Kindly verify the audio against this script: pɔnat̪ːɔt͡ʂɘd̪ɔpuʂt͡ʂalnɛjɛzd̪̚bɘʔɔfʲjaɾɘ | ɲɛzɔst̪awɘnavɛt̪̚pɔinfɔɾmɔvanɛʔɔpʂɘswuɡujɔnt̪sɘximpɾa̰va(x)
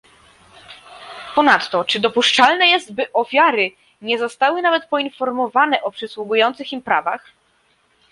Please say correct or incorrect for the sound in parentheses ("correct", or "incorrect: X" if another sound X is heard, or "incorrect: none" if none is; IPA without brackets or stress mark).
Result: correct